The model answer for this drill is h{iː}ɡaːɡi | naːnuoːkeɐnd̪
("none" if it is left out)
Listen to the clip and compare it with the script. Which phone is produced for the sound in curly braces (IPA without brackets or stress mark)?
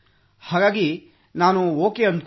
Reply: aː